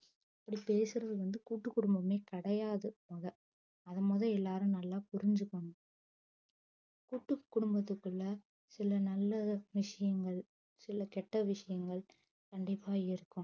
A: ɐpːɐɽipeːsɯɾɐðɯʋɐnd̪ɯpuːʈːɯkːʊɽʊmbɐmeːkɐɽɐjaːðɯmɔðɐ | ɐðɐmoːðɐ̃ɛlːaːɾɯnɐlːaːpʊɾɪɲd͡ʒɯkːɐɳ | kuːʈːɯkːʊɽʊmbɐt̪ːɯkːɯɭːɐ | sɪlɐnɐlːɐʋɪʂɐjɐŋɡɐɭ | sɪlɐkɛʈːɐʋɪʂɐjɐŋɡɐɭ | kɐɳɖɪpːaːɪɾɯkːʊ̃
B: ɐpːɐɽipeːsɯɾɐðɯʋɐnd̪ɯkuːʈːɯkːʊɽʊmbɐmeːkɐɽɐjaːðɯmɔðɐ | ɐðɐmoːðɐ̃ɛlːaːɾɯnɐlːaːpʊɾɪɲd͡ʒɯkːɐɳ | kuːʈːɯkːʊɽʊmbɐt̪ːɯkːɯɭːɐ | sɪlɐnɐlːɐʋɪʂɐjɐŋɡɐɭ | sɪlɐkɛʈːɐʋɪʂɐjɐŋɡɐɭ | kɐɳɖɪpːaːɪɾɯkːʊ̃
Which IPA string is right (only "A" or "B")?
B